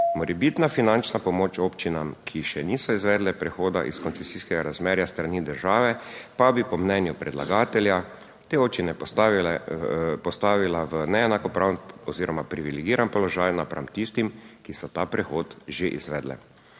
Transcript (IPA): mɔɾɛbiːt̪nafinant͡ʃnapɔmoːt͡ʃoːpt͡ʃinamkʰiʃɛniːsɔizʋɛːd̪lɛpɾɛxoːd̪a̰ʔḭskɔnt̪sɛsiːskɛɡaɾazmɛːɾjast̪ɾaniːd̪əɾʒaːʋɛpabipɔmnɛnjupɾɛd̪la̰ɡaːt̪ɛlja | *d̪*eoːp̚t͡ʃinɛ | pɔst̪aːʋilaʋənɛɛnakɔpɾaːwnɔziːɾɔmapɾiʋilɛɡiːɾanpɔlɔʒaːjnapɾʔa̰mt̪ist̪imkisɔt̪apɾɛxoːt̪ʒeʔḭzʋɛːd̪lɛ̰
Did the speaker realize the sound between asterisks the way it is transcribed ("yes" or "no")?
no